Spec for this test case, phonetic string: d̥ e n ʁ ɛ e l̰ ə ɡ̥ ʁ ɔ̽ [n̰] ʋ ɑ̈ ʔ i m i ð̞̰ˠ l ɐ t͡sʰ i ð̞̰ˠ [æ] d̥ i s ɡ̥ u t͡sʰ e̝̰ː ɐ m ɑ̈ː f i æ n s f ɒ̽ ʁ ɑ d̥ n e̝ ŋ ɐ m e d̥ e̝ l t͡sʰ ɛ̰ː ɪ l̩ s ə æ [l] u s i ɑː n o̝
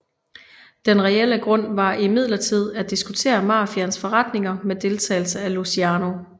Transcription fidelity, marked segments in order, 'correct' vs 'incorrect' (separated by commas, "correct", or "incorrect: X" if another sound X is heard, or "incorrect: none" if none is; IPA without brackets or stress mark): correct, correct, correct